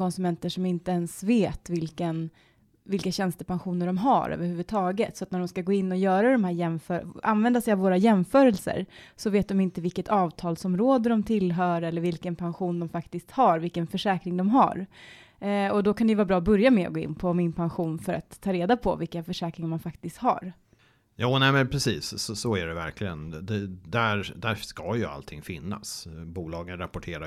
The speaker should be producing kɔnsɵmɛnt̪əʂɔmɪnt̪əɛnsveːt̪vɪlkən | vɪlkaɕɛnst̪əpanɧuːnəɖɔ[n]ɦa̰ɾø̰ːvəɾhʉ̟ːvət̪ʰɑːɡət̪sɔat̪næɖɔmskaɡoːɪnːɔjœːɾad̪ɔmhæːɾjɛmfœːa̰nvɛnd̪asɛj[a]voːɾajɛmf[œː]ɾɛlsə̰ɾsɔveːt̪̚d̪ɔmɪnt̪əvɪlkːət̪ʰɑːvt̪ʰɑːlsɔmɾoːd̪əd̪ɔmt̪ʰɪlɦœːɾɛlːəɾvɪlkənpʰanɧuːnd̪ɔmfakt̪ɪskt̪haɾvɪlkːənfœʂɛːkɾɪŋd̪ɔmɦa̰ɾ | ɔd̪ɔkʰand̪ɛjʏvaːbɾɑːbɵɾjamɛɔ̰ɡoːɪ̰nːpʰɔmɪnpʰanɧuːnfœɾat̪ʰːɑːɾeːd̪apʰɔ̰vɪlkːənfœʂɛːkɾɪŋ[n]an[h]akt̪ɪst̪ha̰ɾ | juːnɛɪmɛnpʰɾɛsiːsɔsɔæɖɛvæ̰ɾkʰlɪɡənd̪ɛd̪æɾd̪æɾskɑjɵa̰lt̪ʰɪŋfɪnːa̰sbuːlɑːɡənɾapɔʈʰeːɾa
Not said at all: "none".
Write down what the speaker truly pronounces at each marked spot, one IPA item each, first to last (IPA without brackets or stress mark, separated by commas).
m, a, œː, m, f